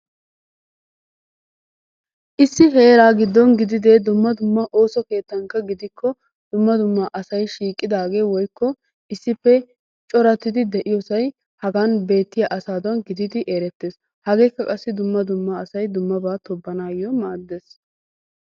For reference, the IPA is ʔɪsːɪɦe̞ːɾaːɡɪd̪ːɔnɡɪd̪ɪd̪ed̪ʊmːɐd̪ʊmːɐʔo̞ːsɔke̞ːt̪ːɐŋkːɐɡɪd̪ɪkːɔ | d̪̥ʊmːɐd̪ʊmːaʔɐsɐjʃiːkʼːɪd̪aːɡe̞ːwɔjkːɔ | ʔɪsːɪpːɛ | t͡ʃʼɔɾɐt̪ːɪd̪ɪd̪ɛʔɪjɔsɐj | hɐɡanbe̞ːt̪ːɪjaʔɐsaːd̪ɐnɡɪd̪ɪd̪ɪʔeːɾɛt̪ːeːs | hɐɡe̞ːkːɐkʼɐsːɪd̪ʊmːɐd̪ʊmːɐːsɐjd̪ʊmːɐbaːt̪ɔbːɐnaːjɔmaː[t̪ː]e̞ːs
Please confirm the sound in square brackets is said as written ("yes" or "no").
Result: no